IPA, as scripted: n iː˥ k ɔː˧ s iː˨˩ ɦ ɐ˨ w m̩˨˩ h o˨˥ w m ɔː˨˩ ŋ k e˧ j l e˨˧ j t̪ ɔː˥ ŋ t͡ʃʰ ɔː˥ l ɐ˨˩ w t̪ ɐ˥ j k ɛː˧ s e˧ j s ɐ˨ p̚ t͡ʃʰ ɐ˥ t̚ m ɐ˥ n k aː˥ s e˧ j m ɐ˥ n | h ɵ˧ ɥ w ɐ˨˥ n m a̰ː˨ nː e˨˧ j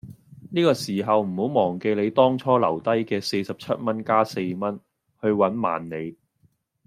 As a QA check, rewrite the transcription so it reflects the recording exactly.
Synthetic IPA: n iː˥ k ɔː˧ s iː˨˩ ɦ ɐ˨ w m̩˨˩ h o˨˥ w m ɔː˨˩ ŋ k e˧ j l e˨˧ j t̪ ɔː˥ ŋ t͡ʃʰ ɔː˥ l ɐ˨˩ w t̪ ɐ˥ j k ɛː˧ s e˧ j s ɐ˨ p̚ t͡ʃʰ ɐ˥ t̚ m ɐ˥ n k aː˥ s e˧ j m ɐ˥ n | h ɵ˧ ɥ w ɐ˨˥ n m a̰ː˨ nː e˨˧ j